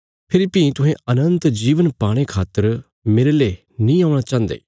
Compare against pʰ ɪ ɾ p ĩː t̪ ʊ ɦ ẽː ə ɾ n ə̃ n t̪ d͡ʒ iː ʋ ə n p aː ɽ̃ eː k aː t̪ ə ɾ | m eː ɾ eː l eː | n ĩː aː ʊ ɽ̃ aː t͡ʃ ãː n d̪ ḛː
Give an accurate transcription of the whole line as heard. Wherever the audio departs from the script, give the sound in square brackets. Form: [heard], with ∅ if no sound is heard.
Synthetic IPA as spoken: pʰ ɪ ɾ p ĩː t̪ ʊ ɦ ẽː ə [∅] n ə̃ n t̪ d͡ʒ iː ʋ ə n p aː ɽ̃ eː [kʰ] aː t̪ ə ɾ | m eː ɾ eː l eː | n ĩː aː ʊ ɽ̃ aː t͡ʃ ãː n d̪ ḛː